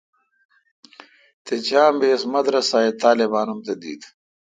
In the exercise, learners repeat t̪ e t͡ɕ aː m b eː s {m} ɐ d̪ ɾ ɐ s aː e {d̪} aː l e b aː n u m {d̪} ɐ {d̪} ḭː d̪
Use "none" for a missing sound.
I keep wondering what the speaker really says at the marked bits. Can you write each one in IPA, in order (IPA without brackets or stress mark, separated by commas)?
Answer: m, t̪, t̪, d̪